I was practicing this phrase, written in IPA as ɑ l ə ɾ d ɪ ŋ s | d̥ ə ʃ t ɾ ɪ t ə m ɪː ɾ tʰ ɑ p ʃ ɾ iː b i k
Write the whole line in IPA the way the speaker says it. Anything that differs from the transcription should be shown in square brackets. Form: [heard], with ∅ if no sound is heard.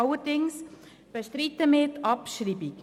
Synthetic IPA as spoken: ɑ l ə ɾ d ɪ ŋ s | [b̥] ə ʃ t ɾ [i] t ə m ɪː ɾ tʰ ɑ p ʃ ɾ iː b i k